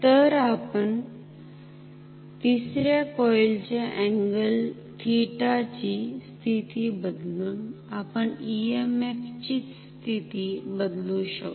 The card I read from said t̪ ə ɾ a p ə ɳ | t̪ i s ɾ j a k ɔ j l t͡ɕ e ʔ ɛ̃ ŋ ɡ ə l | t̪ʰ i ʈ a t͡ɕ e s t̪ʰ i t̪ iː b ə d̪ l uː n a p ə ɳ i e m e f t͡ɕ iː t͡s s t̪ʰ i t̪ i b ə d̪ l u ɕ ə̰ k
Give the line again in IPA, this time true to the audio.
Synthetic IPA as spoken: t̪ ə ɾ a p ə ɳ | t̪ i s ɾ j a k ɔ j l t͡ɕ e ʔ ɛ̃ ŋ ɡ ə l | t̪ʰ i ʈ a t͡ɕ i s t̪ʰ i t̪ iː b ə d̪ l uː n a p ə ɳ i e m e f t͡ɕ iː t͡s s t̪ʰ i t̪ i b ə d̪ l u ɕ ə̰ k